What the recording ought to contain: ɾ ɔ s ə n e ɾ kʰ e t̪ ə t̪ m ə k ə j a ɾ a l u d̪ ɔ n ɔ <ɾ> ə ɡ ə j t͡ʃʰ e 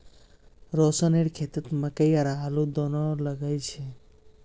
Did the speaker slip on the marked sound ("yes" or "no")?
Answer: yes